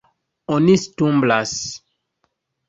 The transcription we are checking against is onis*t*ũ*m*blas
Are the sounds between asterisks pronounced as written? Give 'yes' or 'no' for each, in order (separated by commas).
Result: yes, yes